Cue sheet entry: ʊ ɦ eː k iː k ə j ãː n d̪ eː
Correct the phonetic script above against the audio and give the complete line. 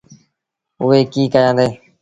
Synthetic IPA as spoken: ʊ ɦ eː k iː k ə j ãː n d̪ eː